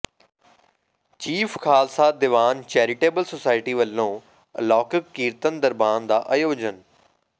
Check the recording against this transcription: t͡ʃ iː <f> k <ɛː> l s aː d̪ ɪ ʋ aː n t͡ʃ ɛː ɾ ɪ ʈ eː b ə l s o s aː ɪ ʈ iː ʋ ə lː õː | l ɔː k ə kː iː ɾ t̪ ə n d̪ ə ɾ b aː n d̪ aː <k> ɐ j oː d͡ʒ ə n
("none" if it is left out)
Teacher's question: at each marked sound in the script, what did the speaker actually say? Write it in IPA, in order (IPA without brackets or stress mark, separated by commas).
f, aː, ʔ